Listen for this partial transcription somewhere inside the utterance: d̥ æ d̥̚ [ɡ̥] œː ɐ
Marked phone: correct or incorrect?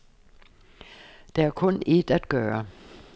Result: correct